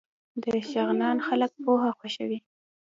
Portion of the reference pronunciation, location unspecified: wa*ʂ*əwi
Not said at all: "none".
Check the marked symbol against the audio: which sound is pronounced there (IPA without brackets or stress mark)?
ʃ